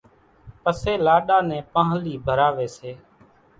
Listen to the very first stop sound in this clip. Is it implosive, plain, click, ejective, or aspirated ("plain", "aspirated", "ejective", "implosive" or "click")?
plain